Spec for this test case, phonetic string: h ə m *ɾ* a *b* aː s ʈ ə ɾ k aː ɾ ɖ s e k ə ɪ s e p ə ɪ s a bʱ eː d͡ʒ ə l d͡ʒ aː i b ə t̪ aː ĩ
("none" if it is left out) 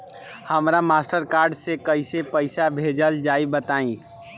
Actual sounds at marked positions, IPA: ɾ, m

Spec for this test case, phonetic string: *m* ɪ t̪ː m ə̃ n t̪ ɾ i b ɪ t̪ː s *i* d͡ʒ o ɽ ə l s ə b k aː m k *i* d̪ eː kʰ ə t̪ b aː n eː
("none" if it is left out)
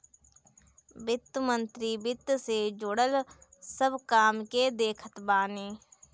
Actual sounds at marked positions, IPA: b, e, e

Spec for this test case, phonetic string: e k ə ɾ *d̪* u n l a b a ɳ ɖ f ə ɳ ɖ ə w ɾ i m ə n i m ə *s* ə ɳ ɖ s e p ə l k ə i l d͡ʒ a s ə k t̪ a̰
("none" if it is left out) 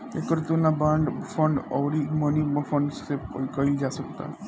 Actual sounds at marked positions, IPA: t̪, f

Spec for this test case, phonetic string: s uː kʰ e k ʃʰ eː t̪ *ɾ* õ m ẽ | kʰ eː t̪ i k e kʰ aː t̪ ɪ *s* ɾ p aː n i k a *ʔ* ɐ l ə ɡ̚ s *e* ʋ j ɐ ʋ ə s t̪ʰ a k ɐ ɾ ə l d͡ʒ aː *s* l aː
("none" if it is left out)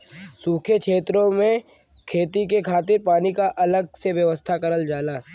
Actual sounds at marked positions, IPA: ɾ, none, ʔ, e, none

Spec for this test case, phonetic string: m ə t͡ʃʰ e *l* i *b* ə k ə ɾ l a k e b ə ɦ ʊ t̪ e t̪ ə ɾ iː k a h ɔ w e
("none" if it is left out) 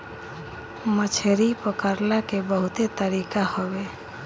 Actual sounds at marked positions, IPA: ɾ, p

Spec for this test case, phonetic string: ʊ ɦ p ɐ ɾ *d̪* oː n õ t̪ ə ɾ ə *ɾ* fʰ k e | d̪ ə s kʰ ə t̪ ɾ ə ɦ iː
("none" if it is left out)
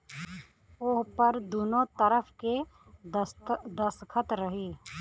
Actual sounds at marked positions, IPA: d̪, none

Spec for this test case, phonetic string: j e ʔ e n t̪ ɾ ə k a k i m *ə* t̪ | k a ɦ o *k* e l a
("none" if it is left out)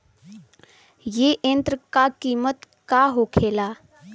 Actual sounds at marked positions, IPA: ə, kʰ

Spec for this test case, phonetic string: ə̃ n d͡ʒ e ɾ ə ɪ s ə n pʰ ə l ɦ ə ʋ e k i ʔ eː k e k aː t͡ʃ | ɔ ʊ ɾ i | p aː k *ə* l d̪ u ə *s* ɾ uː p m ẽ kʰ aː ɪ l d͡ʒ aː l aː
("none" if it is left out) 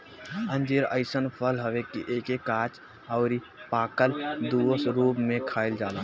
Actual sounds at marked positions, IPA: ə, s

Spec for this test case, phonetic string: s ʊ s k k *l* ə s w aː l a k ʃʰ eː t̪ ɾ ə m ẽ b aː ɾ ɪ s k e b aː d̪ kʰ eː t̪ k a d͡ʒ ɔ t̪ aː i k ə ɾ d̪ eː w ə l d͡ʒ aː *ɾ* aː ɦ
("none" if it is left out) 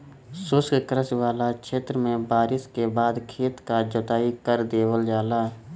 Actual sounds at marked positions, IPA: ɾ, l

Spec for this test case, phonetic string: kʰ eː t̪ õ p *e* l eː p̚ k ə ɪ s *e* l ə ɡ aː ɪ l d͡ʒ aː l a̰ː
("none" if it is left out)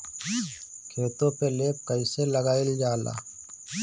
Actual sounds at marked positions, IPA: e, e

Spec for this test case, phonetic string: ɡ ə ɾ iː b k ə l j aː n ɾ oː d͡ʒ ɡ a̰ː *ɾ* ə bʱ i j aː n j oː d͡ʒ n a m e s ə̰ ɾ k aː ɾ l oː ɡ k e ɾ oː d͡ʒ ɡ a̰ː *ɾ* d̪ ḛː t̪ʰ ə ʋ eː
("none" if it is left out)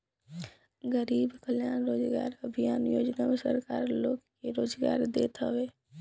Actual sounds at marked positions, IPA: ɾ, ɾ

